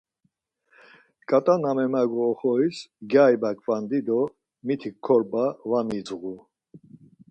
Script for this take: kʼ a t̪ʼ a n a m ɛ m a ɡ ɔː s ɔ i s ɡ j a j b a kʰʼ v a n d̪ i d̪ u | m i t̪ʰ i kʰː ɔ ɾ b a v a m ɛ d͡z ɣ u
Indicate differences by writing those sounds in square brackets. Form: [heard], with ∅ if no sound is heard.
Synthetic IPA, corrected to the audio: kʼ a t̪ʼ a n a m ɛ m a ɡ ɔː [χ] ɔ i s ɡ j a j b a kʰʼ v a n d̪ i d̪ [ɔ] | m i t̪ʰ i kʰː ɔ ɾ b a v a m [i] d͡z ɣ u

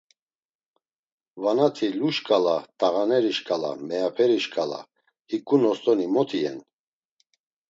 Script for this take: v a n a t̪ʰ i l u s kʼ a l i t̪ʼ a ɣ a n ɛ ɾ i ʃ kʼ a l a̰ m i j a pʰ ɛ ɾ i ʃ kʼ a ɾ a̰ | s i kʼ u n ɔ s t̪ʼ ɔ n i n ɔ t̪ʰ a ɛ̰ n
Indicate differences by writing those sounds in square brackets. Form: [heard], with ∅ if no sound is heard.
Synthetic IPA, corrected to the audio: v a n a t̪ʰ i l u [ʃ] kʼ a l [a] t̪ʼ a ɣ a n ɛ ɾ i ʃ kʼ a l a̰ m [ɛ] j a pʰ ɛ ɾ i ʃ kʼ a [l] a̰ | [h] i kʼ u n ɔ s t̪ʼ ɔ n i [m] ɔ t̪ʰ [i] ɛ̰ n

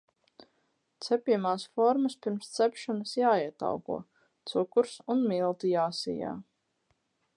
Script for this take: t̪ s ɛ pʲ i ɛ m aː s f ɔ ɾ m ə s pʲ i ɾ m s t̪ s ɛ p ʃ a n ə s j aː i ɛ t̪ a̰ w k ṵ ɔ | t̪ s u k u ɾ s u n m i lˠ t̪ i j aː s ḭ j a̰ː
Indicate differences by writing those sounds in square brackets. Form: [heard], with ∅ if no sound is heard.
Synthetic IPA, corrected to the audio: t̪ s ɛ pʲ i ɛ m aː s f ɔ ɾ m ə s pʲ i ɾ m s t̪ s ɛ p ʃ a n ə s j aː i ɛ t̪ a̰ w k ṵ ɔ | t̪ s u k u ɾ s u n m i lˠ t̪ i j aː s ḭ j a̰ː

